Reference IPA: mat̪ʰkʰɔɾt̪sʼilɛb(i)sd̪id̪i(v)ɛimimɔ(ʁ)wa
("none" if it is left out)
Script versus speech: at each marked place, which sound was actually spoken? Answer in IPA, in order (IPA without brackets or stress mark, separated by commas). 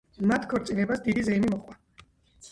a, z, χ